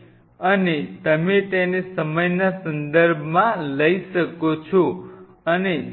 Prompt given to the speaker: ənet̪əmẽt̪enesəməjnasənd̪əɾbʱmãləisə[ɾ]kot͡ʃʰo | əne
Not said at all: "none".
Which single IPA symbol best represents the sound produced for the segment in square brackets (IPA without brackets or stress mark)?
none